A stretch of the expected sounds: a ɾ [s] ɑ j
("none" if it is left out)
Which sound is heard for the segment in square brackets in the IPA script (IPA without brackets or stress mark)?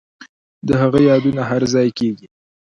z